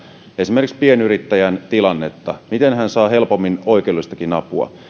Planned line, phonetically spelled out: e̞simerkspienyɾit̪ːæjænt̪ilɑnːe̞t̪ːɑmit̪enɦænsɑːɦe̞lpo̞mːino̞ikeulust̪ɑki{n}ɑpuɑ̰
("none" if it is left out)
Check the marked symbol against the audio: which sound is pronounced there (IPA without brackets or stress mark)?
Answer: n